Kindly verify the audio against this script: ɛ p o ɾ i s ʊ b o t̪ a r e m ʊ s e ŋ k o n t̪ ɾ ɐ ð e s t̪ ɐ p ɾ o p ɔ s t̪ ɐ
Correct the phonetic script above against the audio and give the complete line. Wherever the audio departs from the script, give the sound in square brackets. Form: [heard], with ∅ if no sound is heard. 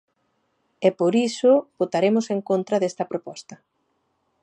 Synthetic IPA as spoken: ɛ p o ɾ i s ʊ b o t̪ a [ɾ] e m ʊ s e ŋ k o n t̪ ɾ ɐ ð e s t̪ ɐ p ɾ o p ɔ s t̪ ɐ